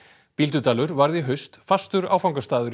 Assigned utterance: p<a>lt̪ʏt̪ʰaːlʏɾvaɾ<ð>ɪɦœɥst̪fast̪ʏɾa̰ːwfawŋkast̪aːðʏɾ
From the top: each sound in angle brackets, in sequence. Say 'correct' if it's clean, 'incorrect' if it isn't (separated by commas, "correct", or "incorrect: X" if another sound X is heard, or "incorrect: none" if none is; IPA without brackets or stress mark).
incorrect: i, correct